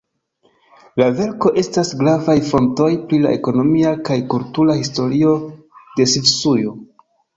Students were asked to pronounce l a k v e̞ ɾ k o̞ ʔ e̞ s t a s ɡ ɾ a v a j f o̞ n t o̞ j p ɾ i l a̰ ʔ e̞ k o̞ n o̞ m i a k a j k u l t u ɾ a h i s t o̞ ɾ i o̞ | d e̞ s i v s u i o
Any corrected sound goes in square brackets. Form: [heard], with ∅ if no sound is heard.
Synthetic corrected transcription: l a [∅] v e̞ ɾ k o̞ ʔ e̞ s t a s ɡ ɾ a v a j f o̞ n t o̞ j p ɾ i l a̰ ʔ e̞ k o̞ n o̞ m i a k a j k u l t u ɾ a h i s t o̞ ɾ i o̞ | d e̞ s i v s u [j] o